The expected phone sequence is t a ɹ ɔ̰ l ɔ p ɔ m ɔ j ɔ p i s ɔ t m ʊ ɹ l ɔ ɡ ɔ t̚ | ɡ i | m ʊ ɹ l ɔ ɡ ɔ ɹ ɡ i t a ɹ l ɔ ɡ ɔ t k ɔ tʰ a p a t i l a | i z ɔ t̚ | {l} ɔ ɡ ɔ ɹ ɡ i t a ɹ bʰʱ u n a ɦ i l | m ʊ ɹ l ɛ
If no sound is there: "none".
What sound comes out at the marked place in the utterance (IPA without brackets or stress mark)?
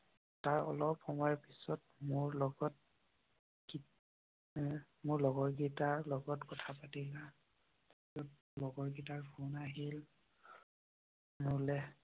l